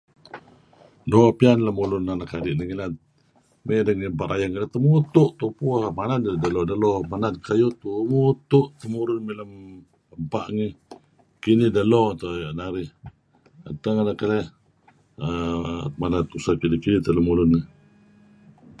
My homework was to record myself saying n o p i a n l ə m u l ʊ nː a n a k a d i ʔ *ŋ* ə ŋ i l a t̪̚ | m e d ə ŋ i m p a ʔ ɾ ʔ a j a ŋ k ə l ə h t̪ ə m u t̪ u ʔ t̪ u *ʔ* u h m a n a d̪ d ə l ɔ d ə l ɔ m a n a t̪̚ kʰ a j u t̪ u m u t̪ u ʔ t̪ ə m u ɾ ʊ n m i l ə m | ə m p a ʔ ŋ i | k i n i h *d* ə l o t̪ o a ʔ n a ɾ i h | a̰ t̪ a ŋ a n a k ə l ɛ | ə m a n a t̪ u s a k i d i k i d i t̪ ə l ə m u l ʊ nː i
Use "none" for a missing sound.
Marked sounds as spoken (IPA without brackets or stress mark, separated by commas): n, p, d